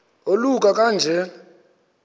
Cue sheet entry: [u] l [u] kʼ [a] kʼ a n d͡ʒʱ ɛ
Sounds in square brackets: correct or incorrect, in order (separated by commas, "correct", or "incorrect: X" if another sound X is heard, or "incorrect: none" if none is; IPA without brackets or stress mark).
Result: incorrect: o, correct, correct